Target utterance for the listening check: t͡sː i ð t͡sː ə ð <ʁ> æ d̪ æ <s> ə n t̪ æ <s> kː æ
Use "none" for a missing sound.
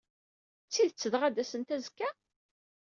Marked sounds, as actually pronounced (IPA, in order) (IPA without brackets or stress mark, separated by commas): ʁ, s, z